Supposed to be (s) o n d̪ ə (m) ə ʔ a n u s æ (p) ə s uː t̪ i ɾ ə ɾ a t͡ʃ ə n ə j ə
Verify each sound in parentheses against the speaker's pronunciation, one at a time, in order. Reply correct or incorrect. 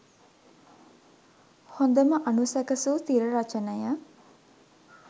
incorrect, correct, incorrect

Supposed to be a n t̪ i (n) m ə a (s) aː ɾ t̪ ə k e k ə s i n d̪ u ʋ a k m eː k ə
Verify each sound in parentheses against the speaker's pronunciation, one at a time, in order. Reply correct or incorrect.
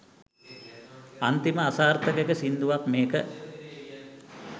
incorrect, correct

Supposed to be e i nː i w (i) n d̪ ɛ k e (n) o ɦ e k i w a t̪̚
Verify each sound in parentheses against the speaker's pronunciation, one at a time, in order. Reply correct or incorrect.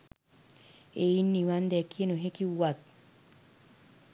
incorrect, correct

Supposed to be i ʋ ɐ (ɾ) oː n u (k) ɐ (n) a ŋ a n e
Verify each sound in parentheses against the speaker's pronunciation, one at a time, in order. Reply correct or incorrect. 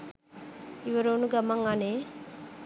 correct, incorrect, incorrect

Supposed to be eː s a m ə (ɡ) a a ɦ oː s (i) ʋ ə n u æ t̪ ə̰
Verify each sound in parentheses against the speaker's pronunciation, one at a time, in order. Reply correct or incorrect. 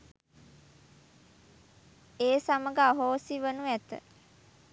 correct, correct

